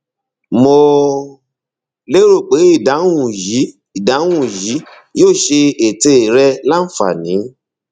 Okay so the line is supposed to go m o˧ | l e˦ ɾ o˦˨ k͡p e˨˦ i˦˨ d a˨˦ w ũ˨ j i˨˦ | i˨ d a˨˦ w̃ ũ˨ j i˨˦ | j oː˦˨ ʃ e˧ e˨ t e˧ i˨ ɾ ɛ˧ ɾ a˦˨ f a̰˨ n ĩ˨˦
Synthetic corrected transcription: m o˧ | l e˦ ɾ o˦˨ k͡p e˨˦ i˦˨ d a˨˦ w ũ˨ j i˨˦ | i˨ d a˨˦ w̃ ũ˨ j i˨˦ | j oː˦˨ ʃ e˧ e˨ t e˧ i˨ ɾ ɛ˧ l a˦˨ f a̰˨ n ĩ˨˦